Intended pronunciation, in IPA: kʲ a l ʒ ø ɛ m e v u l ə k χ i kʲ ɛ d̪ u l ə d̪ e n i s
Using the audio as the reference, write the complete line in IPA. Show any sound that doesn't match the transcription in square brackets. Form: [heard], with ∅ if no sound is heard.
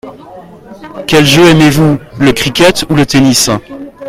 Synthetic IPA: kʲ [ɛ] l ʒ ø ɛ m e v u l ə k χ i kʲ ɛ [t̪] u l ə [t̪] e n i s